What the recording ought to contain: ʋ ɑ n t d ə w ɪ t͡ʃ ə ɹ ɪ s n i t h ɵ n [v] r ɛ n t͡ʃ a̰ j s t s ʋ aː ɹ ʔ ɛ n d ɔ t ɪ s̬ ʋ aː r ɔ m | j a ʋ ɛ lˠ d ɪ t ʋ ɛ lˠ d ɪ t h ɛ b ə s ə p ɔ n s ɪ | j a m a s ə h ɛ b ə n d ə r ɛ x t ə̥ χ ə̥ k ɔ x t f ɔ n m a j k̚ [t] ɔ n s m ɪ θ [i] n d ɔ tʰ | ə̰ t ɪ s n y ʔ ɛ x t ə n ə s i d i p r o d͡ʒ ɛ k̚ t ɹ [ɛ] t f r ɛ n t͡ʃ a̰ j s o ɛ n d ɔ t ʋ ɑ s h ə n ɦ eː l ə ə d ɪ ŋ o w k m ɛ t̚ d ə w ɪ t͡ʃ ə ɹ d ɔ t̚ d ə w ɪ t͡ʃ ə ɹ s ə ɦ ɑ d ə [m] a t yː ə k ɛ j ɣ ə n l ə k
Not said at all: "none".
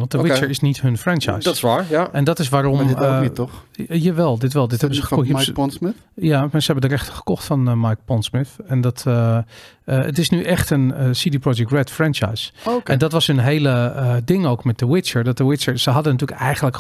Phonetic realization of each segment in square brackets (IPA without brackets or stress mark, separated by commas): f, p, ɛ, ɛ, n